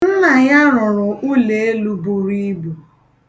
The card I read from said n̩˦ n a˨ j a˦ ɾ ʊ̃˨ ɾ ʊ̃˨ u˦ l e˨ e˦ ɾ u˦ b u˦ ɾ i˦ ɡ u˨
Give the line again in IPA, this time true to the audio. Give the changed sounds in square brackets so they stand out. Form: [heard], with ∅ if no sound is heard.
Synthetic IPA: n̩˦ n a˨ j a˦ ɾ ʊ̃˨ ɾ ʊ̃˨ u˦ l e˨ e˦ [l] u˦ b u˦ ɾ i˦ [b] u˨